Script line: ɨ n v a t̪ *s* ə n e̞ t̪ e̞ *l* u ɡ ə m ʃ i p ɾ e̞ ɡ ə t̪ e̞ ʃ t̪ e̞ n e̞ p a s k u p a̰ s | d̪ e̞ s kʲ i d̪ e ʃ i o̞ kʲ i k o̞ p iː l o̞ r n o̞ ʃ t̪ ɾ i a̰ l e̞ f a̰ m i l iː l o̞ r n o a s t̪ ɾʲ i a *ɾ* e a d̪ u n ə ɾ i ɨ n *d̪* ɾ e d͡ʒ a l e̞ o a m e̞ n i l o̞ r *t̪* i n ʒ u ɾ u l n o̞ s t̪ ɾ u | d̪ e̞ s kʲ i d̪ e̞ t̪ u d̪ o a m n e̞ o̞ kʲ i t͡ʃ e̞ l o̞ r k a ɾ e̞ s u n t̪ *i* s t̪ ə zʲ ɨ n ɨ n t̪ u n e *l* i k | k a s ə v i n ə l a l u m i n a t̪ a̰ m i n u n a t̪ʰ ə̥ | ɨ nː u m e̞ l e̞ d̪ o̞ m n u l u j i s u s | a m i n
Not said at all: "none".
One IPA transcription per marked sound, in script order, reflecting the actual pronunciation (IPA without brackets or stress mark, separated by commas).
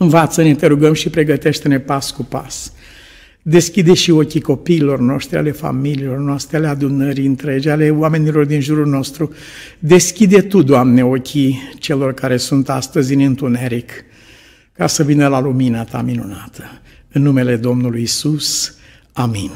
s, ɾ, l, t̪, d̪, a, ɾ